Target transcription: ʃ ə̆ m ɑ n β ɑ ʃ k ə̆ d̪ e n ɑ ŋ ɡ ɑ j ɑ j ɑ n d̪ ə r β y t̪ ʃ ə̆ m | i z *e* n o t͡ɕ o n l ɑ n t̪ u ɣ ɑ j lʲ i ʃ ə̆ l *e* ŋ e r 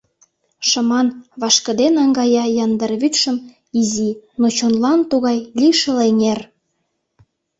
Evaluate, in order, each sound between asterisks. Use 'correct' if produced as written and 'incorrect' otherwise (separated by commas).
incorrect, correct